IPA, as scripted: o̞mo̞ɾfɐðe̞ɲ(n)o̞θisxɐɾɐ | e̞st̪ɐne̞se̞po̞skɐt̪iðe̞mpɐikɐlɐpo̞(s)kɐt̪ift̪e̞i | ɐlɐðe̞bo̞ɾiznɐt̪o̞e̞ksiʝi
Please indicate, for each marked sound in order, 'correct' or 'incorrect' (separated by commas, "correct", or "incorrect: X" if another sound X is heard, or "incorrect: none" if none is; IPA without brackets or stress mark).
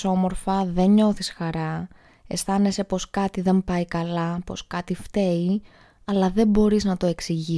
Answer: incorrect: ɲ, correct